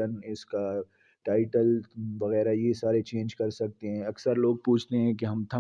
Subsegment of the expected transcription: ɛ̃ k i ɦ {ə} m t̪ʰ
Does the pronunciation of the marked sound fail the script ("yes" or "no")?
yes